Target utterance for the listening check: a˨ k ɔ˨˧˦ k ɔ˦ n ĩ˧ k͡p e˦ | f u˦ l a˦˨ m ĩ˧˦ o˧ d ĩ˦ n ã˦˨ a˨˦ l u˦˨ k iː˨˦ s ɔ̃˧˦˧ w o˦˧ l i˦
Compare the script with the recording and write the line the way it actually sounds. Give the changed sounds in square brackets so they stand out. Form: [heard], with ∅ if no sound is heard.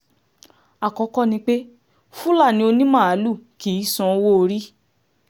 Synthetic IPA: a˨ k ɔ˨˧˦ k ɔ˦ n ĩ˧ k͡p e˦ | f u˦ l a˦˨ [n] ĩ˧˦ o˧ [n] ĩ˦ [m] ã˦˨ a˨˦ l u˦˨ k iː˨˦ s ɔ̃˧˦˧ w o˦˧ [ɾ] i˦